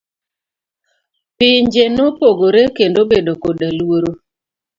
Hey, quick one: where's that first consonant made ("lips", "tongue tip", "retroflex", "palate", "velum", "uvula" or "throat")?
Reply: lips